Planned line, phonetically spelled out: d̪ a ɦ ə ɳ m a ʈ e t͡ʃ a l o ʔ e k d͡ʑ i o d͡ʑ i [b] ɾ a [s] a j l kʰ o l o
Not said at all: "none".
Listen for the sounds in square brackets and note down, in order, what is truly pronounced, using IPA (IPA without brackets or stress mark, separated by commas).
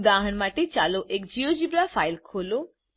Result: b, f